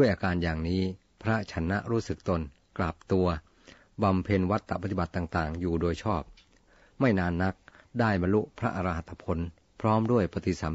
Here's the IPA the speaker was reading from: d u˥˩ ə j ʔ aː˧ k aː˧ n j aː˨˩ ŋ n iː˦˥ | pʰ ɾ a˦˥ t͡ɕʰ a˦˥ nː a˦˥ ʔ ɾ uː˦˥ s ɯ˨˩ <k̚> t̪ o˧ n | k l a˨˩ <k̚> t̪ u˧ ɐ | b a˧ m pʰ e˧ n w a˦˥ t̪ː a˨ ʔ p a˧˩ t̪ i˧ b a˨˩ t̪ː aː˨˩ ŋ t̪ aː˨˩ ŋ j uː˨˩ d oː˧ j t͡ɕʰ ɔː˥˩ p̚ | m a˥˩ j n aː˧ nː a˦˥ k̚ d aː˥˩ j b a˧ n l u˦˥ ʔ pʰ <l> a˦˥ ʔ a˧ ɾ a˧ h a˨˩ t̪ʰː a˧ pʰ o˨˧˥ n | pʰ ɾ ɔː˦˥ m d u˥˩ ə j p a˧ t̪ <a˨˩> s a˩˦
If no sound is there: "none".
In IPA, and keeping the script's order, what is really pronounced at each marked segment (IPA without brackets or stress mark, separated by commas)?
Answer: k̚, p̚, ɾ, i˨˩